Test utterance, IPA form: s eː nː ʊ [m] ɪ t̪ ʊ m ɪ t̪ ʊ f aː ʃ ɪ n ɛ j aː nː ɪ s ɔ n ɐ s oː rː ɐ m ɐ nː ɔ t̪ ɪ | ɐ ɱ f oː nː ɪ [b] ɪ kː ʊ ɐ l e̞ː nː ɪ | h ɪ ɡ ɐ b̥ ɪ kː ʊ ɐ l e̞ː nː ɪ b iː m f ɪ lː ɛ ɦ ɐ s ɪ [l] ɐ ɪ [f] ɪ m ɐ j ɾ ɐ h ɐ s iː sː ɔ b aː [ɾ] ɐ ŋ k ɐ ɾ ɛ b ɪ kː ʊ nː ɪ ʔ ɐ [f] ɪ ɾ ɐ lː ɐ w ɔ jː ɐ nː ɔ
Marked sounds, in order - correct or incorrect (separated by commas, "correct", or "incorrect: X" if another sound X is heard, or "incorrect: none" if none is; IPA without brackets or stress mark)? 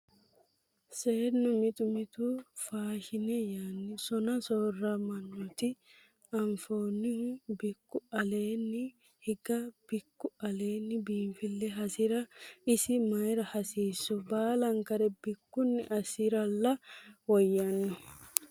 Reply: correct, correct, incorrect: ɾ, incorrect: s, incorrect: l, incorrect: s